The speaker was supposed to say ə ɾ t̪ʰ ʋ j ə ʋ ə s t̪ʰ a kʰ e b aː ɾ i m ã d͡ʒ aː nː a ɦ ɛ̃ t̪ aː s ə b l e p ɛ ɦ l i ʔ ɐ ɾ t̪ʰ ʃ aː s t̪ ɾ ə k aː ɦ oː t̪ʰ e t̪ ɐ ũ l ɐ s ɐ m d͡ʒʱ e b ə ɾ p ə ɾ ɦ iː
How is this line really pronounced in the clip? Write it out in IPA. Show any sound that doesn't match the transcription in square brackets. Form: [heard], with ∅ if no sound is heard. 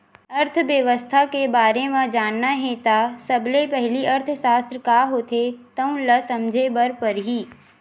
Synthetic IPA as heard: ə ɾ t̪ʰ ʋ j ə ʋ ə s t̪ʰ a [k] e b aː ɾ [e] m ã d͡ʒ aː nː a ɦ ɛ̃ t̪ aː s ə b l e p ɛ ɦ l i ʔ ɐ ɾ t̪ʰ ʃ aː s t̪ ɾ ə k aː ɦ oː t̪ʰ e t̪ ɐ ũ l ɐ s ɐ m d͡ʒʱ e b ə ɾ p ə ɾ ɦ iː

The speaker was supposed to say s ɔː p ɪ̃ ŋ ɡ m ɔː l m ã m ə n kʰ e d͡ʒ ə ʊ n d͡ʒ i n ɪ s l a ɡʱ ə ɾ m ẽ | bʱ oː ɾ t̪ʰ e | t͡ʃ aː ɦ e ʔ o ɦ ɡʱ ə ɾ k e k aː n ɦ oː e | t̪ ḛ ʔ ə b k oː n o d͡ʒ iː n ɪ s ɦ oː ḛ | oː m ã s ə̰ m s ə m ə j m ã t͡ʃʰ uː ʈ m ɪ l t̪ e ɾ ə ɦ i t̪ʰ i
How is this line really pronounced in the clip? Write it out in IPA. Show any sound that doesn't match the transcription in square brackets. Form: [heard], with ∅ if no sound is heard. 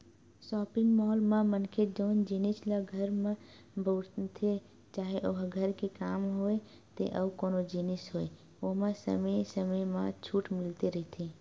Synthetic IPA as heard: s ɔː p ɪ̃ ŋ ɡ m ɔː l m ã m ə n kʰ e d͡ʒ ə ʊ n d͡ʒ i n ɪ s l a ɡʱ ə ɾ m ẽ | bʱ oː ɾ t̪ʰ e | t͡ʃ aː ɦ e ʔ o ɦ ɡʱ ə ɾ k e k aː [m] ɦ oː e | t̪ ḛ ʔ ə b k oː n o d͡ʒ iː n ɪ s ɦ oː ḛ | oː m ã s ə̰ m s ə m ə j m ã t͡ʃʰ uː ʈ m ɪ l t̪ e ɾ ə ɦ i t̪ʰ i

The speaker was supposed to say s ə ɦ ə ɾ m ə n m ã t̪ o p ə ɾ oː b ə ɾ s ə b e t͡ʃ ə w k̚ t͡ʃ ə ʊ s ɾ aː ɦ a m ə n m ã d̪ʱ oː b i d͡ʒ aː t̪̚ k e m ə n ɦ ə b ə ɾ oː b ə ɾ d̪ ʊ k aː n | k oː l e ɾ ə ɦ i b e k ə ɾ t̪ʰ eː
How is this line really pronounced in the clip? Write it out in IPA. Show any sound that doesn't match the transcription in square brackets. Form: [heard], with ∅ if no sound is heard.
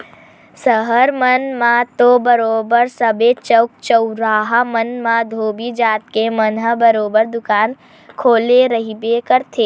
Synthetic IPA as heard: s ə ɦ ə ɾ m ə n m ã t̪ o [b] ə ɾ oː b ə ɾ s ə b e t͡ʃ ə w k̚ t͡ʃ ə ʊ [∅] ɾ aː ɦ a m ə n m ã d̪ʱ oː b i d͡ʒ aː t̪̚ k e m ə n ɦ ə b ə ɾ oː b ə ɾ d̪ ʊ k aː n | [kʰ] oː l e ɾ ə ɦ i b e k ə ɾ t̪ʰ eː

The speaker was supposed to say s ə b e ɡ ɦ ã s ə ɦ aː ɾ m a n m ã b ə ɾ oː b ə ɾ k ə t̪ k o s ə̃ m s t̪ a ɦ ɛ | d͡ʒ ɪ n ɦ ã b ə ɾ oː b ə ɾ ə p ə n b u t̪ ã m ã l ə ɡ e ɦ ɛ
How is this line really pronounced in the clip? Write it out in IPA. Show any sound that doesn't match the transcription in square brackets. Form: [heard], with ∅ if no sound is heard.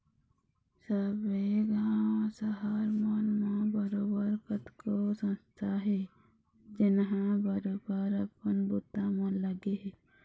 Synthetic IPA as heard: s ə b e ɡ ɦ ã s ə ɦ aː ɾ m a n m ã b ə ɾ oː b ə ɾ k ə t̪ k o s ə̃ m s [t̪ʰ] a ɦ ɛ | d͡ʒ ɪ n ɦ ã b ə ɾ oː b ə ɾ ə p ə n b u t̪ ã m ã l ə ɡ e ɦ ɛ

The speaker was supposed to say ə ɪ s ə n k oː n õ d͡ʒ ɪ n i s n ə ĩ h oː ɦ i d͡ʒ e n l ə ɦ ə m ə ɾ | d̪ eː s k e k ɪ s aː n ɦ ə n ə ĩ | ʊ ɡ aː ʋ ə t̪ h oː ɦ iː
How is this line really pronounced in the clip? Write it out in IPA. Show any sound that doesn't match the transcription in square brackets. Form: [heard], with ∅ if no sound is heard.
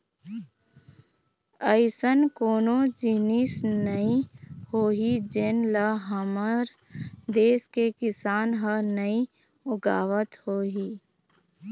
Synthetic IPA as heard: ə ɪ s ə n k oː n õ d͡ʒ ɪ n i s n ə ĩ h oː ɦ i d͡ʒ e n l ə ɦ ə m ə ɾ | d̪ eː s k e k ɪ s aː n ɦ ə n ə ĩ | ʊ ɡ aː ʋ ə t̪ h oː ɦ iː

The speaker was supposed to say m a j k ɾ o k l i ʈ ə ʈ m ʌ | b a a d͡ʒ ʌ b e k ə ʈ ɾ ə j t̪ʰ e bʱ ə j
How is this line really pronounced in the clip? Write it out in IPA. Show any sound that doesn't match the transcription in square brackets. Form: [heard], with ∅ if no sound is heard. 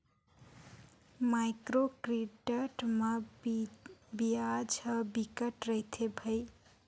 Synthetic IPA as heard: m a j k ɾ o k [ɾ] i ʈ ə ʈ m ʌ | b [i] a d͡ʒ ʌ b [i] k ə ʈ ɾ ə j t̪ʰ e bʱ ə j

